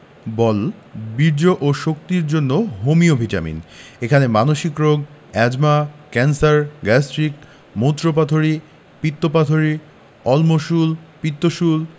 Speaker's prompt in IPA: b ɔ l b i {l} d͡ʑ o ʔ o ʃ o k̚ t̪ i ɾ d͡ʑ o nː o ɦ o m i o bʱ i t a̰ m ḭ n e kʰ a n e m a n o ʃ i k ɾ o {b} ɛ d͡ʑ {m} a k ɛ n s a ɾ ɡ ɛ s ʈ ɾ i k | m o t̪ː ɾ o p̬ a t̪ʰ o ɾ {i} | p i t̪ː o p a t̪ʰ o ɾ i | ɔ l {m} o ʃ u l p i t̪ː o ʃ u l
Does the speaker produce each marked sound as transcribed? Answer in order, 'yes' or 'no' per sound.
no, no, yes, yes, yes

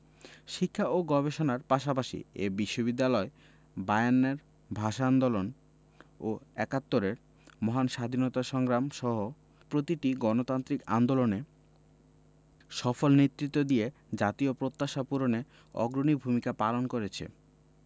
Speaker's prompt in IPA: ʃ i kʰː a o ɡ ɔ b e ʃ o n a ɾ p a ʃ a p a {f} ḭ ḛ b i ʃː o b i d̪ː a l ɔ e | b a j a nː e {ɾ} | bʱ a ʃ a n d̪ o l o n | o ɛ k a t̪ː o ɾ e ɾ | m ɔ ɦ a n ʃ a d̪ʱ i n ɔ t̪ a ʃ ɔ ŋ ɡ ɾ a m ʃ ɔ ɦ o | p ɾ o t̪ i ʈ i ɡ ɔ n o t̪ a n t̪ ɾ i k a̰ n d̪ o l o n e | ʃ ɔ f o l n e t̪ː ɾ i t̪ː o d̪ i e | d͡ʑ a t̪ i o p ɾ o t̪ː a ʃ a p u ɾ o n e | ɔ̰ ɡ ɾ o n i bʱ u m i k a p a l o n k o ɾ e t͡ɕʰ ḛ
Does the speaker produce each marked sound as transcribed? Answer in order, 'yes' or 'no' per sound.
no, yes

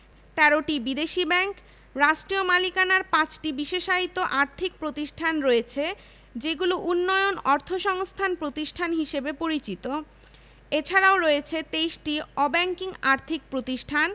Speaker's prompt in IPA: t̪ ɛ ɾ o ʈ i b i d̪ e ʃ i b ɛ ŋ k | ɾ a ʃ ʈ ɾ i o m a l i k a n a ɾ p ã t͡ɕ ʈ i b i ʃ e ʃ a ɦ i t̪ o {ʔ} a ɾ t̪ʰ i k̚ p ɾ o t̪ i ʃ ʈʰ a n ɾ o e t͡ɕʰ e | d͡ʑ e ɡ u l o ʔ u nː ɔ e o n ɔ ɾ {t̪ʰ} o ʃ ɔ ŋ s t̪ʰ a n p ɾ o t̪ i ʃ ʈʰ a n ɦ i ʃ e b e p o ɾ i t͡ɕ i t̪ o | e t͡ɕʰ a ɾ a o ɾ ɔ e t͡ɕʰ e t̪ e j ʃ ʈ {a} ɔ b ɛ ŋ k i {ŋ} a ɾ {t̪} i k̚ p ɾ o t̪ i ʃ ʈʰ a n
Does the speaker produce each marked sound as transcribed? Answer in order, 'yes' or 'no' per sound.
yes, yes, no, yes, no

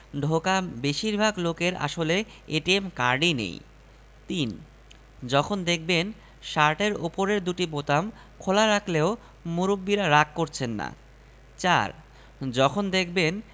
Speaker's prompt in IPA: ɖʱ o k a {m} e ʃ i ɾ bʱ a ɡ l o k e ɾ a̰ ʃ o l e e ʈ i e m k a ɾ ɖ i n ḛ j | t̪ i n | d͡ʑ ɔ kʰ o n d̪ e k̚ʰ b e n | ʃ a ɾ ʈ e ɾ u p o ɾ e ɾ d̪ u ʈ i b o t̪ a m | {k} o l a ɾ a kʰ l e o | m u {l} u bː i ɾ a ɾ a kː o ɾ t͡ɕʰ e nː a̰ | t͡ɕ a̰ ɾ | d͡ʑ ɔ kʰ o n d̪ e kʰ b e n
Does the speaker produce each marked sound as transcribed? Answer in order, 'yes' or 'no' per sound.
no, no, no

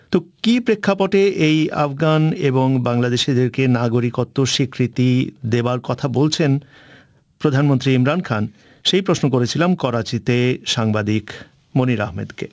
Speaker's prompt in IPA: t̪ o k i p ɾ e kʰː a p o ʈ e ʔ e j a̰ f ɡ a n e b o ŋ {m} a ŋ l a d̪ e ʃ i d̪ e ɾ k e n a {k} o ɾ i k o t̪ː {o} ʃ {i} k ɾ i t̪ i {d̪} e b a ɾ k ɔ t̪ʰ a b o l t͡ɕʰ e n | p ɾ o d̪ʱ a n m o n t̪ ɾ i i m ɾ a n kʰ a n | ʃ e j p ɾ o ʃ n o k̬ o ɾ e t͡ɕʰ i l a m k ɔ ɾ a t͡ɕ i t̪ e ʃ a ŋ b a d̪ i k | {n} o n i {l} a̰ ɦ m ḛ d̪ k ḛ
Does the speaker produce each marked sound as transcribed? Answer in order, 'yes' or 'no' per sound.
no, no, yes, yes, yes, no, no

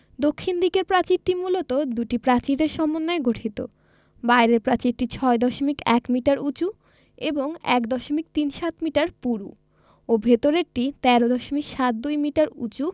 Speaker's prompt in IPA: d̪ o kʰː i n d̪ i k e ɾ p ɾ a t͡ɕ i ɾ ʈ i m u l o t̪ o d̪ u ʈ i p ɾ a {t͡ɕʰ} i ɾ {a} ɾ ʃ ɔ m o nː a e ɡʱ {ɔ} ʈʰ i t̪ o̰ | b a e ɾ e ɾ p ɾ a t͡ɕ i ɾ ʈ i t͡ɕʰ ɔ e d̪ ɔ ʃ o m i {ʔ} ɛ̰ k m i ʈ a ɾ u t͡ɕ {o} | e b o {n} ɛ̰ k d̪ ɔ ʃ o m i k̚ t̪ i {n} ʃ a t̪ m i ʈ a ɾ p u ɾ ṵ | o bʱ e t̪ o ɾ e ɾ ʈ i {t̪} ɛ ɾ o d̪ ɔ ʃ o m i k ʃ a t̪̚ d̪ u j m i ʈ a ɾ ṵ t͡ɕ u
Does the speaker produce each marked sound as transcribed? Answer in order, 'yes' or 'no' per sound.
no, no, no, no, no, no, yes, yes

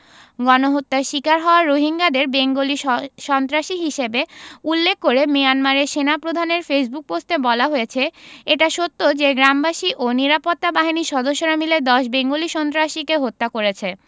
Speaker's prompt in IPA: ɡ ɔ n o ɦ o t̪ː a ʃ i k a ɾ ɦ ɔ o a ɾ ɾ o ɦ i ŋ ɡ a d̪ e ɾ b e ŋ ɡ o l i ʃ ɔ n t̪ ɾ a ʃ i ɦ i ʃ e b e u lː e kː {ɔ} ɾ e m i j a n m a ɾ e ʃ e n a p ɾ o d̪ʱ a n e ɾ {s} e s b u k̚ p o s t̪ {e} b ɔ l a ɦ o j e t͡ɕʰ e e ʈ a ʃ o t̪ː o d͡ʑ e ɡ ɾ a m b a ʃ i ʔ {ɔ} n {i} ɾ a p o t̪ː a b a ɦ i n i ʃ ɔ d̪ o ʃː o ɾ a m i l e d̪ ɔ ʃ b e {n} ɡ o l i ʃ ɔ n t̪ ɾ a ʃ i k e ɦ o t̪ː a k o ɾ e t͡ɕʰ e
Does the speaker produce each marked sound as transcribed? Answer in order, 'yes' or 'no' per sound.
no, no, yes, no, yes, no

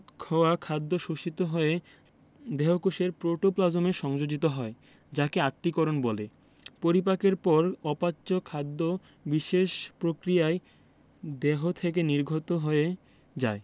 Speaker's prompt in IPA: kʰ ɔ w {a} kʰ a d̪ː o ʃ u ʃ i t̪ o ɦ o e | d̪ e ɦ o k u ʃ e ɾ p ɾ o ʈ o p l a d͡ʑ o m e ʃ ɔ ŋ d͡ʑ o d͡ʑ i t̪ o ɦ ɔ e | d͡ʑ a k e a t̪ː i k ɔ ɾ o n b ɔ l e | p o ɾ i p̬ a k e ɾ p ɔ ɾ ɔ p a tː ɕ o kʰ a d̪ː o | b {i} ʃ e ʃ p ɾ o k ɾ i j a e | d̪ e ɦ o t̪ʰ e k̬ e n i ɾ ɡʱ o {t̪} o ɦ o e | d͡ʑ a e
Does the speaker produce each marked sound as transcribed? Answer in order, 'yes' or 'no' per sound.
yes, yes, yes

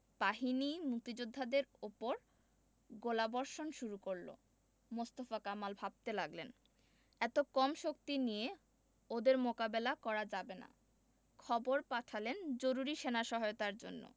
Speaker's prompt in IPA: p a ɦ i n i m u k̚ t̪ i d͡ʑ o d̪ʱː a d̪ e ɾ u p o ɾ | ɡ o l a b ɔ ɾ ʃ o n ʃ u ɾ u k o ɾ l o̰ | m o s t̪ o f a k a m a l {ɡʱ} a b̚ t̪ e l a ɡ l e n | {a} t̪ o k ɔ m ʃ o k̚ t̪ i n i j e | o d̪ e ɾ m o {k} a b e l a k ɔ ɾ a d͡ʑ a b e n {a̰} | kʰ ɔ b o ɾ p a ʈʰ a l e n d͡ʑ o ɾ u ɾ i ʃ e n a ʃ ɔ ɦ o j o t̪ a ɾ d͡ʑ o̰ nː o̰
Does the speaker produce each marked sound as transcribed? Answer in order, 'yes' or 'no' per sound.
no, no, yes, yes

